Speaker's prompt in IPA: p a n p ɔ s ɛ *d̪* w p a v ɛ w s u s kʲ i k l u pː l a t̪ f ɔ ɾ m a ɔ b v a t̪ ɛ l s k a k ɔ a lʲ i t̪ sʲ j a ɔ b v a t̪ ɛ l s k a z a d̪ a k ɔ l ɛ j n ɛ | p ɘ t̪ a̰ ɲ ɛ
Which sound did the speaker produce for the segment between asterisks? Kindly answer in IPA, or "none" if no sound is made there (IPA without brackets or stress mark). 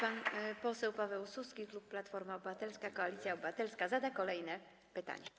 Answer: none